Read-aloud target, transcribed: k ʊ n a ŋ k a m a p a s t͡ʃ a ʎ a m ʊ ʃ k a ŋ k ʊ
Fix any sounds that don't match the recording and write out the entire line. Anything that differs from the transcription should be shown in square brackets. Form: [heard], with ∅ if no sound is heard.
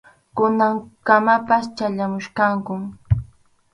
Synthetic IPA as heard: k ʊ n a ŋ k a m a p a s t͡ʃ a ʎ a m ʊ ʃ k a ŋ k ʊ